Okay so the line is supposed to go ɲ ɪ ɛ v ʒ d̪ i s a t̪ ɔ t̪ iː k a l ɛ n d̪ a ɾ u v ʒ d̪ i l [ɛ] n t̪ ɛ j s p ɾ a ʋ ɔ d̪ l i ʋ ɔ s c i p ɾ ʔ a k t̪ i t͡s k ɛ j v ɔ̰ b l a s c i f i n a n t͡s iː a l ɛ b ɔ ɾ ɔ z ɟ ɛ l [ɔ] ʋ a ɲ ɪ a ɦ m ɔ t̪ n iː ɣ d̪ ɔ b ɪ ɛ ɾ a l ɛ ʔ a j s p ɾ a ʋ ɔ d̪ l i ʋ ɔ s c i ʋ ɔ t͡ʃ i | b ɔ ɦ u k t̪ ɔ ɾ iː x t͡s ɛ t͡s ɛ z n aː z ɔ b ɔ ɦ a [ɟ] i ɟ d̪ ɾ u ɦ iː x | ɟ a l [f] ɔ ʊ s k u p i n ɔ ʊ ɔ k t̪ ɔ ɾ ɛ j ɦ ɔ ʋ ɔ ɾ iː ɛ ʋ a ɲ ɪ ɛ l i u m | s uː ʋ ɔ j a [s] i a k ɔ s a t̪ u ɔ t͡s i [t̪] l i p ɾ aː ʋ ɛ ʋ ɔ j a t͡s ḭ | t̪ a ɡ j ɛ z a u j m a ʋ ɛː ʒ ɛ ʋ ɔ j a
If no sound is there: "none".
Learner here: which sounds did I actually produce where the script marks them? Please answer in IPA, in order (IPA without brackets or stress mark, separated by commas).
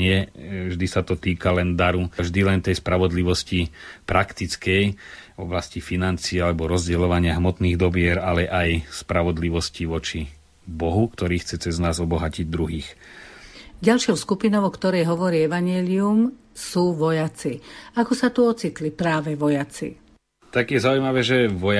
ɛ, ɔ, c, ʃ, t͡s, t̪